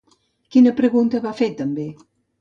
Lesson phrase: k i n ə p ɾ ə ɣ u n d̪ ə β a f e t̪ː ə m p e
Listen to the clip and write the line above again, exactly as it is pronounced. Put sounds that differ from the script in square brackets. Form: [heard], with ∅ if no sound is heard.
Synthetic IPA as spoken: k i n ə p ɾ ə ɣ u n [t̪] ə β a f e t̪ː ə m [b] e